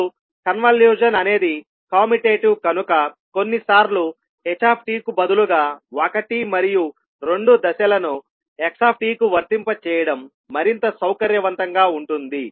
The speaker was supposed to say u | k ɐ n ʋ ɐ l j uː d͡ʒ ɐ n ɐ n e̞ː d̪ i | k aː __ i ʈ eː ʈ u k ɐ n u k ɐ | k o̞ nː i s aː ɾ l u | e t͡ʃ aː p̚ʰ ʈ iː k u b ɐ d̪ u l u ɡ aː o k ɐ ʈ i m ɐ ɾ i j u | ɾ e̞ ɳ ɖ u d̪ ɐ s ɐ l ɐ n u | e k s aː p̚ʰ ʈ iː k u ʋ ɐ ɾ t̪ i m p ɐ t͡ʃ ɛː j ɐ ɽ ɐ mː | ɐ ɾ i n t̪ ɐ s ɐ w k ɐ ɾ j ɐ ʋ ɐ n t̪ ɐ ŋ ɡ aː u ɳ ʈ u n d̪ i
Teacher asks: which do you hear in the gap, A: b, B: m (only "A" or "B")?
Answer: B